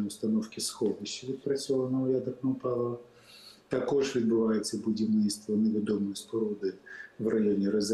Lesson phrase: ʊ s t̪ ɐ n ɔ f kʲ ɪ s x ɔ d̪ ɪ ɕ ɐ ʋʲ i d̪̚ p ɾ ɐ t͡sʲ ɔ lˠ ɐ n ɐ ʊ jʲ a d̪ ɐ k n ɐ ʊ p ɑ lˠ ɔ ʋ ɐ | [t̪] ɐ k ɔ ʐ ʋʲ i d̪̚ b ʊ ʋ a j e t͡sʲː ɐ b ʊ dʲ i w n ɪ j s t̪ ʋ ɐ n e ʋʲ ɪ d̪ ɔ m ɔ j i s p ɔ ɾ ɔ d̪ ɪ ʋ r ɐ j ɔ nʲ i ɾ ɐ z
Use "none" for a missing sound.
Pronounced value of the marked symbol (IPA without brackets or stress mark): t̪